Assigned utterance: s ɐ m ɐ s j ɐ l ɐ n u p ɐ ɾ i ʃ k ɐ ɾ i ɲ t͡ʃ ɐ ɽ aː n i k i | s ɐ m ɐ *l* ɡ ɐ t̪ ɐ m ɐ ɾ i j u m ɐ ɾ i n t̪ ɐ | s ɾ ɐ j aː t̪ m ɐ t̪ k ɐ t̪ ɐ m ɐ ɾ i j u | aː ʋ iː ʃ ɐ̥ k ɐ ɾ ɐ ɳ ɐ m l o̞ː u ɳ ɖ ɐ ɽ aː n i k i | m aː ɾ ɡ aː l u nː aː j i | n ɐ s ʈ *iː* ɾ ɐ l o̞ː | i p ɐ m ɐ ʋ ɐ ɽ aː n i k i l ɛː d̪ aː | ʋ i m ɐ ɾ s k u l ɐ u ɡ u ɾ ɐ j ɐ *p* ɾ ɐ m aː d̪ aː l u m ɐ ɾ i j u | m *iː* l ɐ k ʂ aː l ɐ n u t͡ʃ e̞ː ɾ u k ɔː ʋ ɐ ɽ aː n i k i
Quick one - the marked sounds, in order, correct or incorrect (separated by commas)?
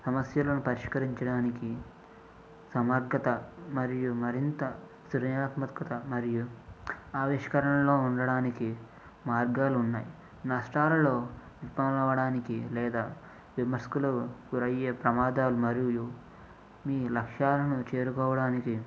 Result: incorrect, incorrect, correct, correct